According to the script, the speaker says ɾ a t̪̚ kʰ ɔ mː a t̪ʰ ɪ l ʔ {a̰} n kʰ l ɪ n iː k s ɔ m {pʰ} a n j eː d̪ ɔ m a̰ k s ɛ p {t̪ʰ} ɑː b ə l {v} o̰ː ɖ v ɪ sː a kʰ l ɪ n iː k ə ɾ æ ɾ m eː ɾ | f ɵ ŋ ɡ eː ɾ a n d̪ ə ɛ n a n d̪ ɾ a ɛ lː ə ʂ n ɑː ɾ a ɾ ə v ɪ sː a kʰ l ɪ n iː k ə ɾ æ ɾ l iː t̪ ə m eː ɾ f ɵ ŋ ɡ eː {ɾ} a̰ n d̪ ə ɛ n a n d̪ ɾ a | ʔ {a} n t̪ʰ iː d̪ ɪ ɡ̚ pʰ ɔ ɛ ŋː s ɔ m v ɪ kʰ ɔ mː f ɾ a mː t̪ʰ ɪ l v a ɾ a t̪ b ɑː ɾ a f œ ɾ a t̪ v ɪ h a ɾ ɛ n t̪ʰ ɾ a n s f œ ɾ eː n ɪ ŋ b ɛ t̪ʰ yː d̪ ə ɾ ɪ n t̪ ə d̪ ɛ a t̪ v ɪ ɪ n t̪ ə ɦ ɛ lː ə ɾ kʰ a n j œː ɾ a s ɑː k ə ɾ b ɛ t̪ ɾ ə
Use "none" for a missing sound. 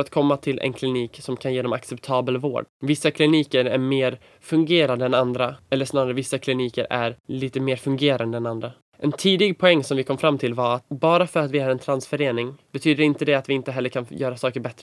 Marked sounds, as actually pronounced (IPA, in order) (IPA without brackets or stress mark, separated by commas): ɛ̰, kʰ, t̪ʰ, v, ɾ, ɛ